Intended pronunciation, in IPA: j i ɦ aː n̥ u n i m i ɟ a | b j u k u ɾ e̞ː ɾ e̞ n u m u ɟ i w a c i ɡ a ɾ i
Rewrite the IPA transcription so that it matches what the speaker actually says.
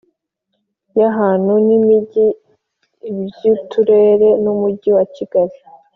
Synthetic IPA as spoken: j a ɦ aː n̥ u n i m i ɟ i | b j u t u ɾ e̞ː ɾ e̞ n u m u ɟ i w a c i ɡ a ɾ i